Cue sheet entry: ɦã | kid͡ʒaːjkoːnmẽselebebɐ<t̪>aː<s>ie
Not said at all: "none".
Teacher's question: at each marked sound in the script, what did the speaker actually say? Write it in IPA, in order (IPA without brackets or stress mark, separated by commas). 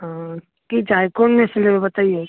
t̪, none